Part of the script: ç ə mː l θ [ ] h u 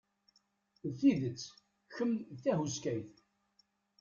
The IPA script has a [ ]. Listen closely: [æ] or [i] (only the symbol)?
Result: æ